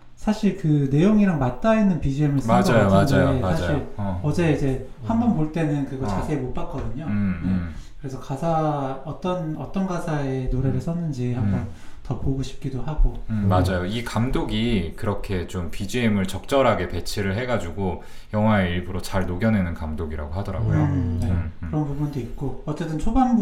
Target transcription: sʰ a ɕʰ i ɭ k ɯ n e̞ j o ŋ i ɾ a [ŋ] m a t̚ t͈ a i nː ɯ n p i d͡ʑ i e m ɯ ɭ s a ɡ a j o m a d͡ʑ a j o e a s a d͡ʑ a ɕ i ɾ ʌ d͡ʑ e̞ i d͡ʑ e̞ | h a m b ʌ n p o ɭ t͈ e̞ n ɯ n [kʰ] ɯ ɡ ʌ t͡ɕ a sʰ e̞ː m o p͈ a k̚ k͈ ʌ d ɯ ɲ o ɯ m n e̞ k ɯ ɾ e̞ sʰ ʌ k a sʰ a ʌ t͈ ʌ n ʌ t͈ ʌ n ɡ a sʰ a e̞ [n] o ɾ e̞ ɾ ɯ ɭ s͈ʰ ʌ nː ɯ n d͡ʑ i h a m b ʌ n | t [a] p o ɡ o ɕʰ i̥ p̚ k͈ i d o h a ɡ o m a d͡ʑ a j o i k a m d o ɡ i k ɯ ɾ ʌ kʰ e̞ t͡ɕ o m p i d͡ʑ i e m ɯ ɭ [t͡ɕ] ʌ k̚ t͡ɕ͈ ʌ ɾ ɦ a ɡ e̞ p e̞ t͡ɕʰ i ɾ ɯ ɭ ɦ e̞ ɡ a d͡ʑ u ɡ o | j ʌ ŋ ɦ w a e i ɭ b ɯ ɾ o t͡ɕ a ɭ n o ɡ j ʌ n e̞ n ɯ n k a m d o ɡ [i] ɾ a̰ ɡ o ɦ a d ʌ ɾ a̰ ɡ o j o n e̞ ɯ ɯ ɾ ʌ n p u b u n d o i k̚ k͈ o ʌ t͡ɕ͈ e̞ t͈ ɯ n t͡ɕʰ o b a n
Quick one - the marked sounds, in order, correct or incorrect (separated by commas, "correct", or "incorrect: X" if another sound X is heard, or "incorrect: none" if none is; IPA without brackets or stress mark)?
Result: correct, incorrect: k, correct, incorrect: ʌ, correct, correct